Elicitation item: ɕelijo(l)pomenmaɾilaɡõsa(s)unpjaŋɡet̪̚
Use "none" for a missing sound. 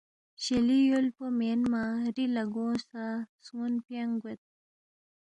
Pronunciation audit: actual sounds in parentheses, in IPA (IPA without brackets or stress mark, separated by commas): l, s